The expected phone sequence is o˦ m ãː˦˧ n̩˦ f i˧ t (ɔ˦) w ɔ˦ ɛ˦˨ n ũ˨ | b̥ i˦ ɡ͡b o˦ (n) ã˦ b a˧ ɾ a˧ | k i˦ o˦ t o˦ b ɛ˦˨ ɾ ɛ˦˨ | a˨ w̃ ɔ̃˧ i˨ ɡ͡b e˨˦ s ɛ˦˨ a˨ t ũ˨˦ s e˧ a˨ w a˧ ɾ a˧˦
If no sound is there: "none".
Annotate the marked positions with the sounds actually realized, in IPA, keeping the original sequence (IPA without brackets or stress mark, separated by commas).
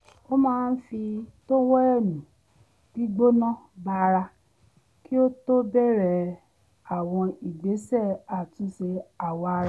o˦, n